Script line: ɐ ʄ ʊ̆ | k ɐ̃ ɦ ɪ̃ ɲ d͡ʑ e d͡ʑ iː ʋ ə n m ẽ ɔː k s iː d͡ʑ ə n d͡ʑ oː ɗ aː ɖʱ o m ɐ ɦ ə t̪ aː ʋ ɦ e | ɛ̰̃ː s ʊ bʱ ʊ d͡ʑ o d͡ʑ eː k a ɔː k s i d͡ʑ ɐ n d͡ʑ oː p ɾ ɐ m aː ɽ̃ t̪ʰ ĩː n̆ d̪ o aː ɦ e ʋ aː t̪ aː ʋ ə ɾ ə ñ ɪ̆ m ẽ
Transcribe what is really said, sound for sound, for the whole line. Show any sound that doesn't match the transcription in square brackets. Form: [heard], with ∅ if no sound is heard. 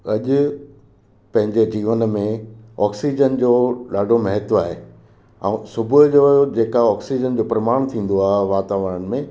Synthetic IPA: ɐ ʄ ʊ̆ | [p] ɐ̃ ɦ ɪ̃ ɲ d͡ʑ e d͡ʑ iː ʋ ə n m ẽ ɔː k s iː d͡ʑ ə n d͡ʑ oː ɗ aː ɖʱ o m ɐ ɦ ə t̪ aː [∅] ɦ e | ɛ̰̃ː s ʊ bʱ ʊ d͡ʑ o d͡ʑ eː k a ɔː k s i d͡ʑ [ə] n d͡ʑ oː p ɾ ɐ m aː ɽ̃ t̪ʰ ĩː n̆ d̪ o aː ɦ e ʋ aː t̪ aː ʋ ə ɾ ə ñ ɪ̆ m ẽ